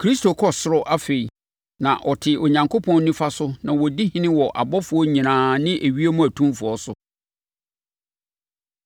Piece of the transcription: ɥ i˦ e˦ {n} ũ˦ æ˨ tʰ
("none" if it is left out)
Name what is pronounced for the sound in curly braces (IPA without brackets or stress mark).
m